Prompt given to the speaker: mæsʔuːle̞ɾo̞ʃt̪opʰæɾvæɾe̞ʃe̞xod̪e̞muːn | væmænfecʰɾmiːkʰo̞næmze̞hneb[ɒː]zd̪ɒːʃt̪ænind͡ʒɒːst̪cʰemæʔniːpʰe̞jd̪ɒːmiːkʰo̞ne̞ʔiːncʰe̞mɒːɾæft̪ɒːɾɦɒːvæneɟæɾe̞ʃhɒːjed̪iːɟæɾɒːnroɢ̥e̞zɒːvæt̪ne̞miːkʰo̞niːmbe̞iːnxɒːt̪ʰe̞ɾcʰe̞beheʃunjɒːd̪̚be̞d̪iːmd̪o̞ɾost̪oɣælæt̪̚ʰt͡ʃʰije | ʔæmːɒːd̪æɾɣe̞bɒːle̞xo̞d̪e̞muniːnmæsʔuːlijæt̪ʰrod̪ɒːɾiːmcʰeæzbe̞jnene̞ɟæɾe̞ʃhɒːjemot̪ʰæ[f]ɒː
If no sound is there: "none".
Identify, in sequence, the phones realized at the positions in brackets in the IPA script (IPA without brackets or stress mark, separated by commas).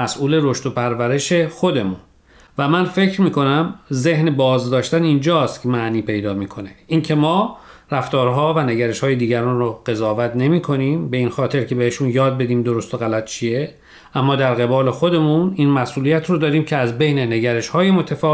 ɒː, f